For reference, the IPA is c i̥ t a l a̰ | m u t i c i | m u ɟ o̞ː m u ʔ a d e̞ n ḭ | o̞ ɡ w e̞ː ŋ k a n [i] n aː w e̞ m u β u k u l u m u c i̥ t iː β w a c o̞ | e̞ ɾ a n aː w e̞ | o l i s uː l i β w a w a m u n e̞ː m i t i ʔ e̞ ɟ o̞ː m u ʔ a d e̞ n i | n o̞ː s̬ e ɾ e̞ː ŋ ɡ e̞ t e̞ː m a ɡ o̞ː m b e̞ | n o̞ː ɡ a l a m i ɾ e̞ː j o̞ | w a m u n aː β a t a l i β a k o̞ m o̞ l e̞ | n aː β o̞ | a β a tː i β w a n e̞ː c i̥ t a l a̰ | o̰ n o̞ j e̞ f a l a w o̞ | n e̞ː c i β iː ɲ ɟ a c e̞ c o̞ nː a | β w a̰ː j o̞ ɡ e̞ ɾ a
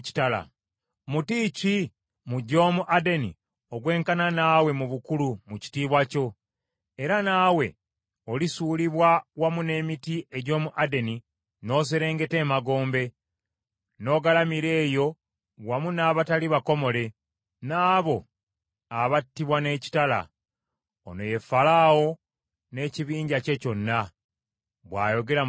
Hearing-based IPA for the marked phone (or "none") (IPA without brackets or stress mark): a